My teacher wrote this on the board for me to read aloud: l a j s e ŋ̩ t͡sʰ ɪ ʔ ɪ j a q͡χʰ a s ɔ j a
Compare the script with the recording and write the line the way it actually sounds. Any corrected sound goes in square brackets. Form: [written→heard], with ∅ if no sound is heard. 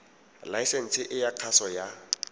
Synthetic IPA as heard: l a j s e [ŋ̩→n̩] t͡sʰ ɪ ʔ ɪ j a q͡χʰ a s ɔ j a